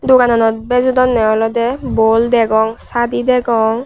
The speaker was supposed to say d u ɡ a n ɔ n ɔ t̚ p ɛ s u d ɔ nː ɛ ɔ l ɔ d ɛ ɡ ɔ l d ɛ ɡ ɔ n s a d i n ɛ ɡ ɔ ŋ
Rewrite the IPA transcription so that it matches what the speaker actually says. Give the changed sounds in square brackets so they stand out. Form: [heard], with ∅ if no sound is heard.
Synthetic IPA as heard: d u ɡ a n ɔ n ɔ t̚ [b] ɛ [z] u d ɔ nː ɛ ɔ l ɔ d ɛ [b] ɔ l d ɛ ɡ ɔ [ŋ] s a d i [d] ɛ ɡ ɔ ŋ